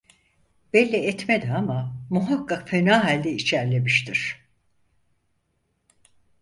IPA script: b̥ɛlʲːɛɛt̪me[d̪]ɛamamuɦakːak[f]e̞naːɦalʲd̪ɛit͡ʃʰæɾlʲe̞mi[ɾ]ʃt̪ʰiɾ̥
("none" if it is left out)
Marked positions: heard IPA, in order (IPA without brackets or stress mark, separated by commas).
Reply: d̪, f, none